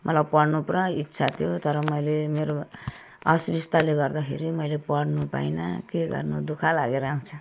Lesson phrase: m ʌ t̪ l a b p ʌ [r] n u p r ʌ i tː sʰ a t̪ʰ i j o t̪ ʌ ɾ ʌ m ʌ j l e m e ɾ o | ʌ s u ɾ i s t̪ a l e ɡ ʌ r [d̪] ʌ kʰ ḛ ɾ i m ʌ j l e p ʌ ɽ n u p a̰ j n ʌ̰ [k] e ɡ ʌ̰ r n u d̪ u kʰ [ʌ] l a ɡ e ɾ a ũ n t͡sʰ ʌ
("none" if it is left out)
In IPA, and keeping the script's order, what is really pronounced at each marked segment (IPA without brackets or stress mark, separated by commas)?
ɽ, d̪, k, a